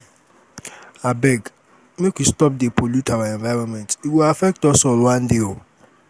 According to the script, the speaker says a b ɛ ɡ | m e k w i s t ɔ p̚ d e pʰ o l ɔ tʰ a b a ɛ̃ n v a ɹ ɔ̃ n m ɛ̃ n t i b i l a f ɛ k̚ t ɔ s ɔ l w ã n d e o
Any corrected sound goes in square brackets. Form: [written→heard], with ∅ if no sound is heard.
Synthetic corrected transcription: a b ɛ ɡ | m e k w i s t ɔ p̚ d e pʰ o l [ɔ→u] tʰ a [b→w] a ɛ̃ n v a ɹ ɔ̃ n m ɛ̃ n t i [b→w] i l a f ɛ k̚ t ɔ s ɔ l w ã n d e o